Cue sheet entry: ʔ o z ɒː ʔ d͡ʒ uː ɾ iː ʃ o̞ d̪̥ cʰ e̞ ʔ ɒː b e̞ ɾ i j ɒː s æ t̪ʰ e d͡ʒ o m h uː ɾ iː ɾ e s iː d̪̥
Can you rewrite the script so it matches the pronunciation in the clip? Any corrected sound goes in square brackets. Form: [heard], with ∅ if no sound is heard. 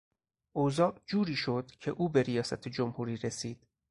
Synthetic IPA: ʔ o z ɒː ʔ d͡ʒ uː ɾ iː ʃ o̞ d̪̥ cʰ e̞ ʔ [uː] b e̞ ɾ i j ɒː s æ t̪ʰ e d͡ʒ o m h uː ɾ iː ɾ e s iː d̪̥